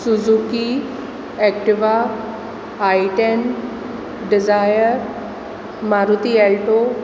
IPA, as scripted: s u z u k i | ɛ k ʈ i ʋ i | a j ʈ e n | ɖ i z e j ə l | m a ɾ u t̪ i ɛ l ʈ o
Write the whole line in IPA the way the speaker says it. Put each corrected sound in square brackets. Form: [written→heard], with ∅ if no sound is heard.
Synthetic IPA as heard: s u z u k i | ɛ k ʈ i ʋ [i→a] | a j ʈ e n | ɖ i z [e→a] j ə [l→ɾ] | m a ɾ u t̪ i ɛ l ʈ o